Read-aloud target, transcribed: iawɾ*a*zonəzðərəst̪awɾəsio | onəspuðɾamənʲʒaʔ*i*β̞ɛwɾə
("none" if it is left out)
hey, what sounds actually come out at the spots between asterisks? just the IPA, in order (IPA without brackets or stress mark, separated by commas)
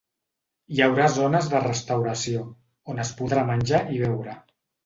a, i